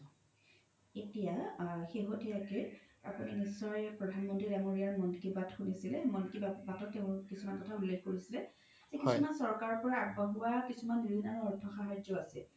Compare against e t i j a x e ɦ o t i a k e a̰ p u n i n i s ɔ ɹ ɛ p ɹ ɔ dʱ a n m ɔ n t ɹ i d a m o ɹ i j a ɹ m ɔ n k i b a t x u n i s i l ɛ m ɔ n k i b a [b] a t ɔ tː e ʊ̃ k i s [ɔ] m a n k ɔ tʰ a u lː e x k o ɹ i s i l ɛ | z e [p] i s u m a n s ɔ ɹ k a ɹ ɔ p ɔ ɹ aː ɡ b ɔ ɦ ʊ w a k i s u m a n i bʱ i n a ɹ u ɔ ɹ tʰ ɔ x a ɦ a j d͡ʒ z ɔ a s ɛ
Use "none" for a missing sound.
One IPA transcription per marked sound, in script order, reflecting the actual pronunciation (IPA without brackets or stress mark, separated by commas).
b, u, k